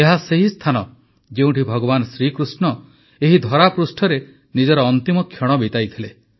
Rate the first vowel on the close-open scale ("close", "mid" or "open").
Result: mid